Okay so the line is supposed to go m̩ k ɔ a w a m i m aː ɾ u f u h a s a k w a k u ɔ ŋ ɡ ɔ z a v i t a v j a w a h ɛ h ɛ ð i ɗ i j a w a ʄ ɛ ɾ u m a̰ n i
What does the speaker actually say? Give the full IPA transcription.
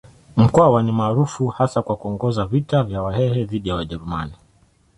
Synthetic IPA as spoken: m̩ k ɔ a w a n i m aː ɾ u f u h a s a k w a k u ɔ ŋ ɡ ɔ z a v i t a v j a w a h ɛ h ɛ ð i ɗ i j a w a ʄ ɛ ɾ u m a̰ n i